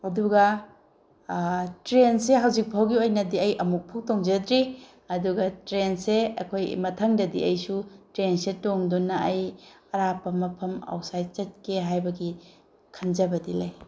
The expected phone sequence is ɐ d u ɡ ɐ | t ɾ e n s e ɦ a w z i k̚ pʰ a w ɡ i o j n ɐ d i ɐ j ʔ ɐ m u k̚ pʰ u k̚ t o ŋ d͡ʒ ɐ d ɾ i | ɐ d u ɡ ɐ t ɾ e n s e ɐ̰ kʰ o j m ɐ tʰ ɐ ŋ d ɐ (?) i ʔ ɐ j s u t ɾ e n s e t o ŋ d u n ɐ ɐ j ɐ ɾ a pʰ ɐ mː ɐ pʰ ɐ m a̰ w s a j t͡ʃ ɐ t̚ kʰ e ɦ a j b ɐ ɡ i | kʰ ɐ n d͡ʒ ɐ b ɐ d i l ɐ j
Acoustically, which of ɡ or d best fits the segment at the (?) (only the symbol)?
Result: d